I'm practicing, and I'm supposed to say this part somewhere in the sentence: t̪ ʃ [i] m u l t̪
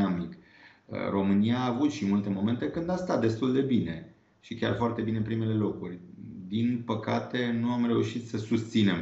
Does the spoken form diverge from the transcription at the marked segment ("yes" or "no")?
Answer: no